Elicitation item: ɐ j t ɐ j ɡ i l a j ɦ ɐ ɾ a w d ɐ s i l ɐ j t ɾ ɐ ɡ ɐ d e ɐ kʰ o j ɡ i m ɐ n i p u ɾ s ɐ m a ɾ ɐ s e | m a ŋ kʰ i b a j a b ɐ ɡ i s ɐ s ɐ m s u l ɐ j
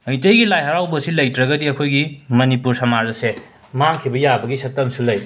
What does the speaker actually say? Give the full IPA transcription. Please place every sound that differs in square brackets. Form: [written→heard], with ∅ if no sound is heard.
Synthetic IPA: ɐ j t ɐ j ɡ i l a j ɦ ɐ ɾ a w [d→b] ɐ s i l ɐ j t ɾ ɐ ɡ ɐ d [e→i] ɐ kʰ o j ɡ i m ɐ n i p u ɾ s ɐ m a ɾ ɐ s e | m a ŋ kʰ i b [a→ɐ] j a b ɐ ɡ i s ɐ [s→t] ɐ m s u l ɐ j